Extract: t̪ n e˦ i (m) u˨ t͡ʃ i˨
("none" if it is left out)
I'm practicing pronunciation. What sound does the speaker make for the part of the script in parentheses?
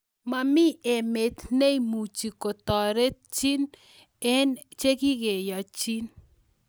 m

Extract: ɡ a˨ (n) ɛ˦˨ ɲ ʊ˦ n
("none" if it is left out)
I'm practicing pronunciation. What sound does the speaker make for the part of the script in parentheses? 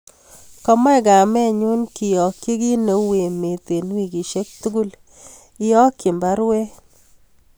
m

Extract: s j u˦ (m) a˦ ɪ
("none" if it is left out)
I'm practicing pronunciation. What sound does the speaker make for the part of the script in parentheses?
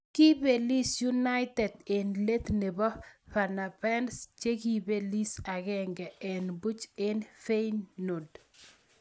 n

